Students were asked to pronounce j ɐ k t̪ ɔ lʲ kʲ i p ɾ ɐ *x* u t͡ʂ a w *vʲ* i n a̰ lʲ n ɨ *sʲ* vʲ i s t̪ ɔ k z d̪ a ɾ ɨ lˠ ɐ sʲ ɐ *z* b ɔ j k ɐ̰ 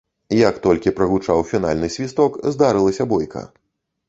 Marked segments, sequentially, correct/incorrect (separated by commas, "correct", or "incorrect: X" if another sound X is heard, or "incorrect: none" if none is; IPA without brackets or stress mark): incorrect: ɣ, incorrect: fʲ, correct, incorrect: none